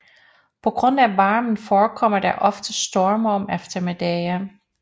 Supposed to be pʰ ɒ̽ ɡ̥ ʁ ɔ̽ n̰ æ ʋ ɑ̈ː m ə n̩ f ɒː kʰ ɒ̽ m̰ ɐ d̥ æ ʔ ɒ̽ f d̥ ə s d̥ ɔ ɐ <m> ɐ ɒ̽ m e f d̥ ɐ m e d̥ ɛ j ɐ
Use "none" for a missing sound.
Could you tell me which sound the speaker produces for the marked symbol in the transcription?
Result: m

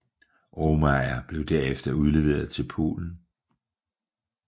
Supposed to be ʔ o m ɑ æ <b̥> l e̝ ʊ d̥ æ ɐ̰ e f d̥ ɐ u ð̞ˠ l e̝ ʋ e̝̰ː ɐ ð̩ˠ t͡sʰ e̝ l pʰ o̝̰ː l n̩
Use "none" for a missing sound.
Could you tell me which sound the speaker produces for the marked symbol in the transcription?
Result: b̥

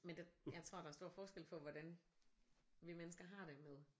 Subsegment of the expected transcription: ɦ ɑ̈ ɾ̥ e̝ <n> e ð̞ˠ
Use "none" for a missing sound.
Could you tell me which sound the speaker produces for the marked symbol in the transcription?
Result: m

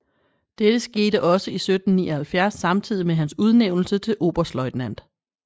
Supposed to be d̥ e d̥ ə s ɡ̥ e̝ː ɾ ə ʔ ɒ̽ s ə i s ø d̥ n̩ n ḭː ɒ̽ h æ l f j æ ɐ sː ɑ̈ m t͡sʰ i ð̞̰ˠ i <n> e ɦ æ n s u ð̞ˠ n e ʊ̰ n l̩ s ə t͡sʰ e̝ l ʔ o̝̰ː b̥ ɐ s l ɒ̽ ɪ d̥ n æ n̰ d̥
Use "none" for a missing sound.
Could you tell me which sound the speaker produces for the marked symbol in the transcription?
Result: m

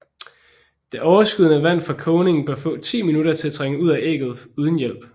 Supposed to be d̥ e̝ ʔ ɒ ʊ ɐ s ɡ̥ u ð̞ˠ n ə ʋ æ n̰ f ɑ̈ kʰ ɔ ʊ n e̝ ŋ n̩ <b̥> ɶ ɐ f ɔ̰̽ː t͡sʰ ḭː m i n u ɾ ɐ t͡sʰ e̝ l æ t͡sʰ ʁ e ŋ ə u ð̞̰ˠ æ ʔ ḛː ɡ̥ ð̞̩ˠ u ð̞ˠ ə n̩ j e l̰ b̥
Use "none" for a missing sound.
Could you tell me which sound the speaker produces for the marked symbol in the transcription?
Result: b̥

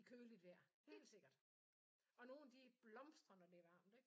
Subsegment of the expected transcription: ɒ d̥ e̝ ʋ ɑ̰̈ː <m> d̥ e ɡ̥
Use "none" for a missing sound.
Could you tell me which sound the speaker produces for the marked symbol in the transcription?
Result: m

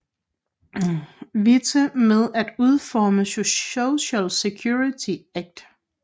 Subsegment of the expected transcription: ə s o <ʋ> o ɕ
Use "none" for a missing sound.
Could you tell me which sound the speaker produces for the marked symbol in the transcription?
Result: none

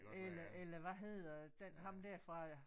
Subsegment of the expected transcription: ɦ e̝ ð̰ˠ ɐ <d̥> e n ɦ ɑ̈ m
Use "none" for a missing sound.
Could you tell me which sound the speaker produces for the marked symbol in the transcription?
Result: d̥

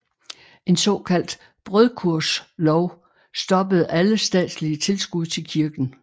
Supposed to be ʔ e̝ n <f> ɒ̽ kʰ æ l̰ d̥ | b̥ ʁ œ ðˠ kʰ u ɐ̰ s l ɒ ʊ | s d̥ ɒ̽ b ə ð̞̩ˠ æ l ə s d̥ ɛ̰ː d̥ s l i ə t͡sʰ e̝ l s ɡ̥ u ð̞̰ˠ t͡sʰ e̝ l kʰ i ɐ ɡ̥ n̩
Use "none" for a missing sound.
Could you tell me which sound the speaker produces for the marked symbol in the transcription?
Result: s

